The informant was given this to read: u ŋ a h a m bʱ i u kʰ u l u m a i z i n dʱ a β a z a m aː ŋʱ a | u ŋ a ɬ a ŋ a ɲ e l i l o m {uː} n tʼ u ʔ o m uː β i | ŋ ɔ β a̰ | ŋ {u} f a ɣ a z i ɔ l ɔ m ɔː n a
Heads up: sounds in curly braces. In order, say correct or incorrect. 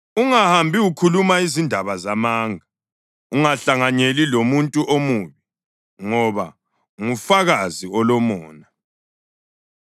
incorrect: u, correct

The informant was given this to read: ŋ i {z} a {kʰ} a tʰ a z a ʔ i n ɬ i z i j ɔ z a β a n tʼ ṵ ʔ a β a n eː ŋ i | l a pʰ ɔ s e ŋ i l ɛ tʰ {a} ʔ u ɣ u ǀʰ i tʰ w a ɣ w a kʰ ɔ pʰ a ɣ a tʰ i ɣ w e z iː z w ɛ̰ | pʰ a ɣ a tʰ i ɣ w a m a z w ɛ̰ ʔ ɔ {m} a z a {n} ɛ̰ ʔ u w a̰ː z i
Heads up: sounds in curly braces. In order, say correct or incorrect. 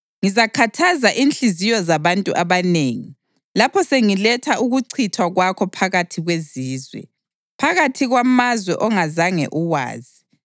correct, correct, correct, incorrect: ŋ, incorrect: ŋ

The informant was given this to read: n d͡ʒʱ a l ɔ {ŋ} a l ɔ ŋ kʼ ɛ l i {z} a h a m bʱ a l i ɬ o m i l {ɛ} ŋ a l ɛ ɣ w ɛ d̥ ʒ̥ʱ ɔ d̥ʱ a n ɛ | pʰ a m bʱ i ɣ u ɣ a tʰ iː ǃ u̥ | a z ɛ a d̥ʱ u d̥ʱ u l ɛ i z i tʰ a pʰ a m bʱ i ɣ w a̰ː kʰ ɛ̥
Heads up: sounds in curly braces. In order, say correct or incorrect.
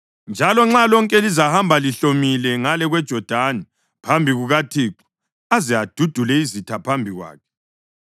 incorrect: ŋ͡ǁ, correct, correct

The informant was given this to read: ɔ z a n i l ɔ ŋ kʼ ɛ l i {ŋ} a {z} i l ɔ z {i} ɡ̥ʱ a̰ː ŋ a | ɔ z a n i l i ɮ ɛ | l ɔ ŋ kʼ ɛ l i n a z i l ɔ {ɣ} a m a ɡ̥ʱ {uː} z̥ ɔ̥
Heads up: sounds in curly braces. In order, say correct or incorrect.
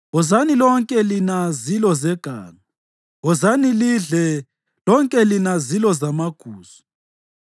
incorrect: n, correct, incorrect: ɛ, incorrect: z, correct

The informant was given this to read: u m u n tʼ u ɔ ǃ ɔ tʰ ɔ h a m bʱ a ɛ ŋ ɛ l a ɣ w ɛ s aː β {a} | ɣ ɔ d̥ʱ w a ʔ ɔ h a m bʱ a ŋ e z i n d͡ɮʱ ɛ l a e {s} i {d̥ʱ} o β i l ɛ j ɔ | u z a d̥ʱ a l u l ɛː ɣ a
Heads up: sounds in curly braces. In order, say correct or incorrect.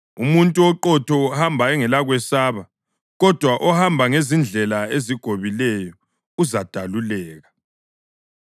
correct, incorrect: z, incorrect: ɡ̥ʱ

